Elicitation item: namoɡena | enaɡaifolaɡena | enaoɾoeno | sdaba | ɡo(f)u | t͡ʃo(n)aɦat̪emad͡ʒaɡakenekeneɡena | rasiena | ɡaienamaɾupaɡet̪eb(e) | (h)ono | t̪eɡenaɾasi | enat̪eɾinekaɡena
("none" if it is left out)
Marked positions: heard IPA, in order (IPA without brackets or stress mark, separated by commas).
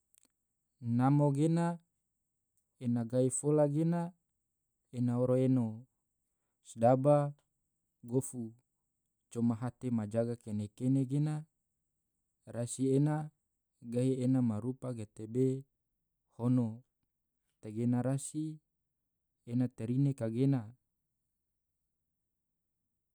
f, m, e, h